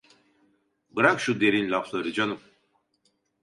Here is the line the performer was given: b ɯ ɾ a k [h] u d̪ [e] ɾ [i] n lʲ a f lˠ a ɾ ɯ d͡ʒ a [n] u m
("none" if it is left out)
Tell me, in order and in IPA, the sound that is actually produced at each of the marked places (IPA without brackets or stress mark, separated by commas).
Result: ʃ, e, i, n